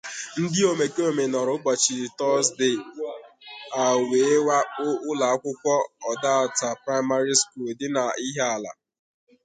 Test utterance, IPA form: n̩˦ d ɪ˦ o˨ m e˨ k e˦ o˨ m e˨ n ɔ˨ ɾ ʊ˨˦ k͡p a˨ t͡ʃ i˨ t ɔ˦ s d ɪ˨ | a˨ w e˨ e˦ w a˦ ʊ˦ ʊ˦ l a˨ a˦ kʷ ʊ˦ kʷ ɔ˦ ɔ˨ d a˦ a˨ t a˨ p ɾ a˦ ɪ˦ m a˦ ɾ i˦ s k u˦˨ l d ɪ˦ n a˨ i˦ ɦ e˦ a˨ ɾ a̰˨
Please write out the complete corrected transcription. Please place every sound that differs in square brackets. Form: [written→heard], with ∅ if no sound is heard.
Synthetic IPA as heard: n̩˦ d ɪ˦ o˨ m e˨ k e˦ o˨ m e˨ n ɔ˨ ɾ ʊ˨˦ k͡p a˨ t͡ʃ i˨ t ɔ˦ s d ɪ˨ | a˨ w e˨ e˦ w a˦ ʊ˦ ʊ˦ l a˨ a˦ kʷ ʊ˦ kʷ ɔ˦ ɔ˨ d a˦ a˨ t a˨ p ɾ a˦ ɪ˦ m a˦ ɾ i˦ s k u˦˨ l d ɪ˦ n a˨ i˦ ɦ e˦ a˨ [ɾ→l] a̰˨